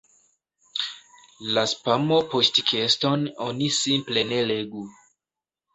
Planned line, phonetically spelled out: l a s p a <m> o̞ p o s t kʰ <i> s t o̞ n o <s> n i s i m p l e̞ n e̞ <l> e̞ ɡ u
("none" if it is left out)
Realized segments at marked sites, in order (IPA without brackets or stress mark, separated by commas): m, e, none, l